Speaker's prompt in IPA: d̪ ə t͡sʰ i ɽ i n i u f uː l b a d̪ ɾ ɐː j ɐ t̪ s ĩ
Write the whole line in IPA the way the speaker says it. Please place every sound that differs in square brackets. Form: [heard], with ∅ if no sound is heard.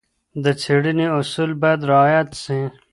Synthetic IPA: d̪ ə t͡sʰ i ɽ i n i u [s] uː l b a d̪ ɾ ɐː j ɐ t̪ s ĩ